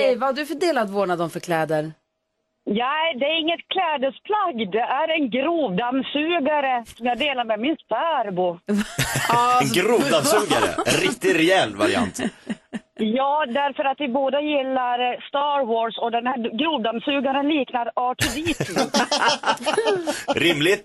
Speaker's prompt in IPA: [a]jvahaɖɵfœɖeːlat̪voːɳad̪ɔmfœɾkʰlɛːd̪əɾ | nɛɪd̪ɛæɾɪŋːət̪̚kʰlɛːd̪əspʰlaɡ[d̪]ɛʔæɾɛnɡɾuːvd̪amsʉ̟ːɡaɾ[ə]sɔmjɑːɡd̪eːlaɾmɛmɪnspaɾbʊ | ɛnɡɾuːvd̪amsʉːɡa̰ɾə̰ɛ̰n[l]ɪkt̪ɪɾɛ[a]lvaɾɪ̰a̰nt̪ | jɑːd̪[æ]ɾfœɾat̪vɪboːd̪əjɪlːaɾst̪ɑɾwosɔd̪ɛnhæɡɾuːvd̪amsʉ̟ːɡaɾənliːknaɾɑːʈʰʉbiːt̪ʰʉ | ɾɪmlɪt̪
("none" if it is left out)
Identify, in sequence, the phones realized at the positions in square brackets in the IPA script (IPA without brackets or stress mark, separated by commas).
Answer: ɛ, d̪, ə, ɾ, ɛ, æ